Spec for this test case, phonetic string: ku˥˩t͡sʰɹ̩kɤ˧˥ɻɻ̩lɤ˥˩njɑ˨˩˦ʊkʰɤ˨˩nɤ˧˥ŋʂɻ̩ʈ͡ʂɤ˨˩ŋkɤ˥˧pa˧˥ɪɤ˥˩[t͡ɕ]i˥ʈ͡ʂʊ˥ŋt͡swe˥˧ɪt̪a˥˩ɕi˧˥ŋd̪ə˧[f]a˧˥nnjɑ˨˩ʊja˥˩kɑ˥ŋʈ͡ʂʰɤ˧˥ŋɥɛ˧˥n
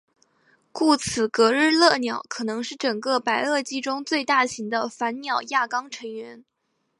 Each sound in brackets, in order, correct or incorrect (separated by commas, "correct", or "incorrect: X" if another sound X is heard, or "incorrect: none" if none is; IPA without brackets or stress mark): correct, correct